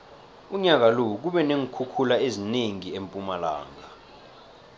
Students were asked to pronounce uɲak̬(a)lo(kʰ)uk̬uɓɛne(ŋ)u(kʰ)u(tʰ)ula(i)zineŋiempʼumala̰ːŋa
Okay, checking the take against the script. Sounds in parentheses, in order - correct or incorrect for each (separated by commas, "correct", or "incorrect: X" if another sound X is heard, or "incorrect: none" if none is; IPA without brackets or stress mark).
correct, incorrect: none, correct, correct, incorrect: kʰ, incorrect: e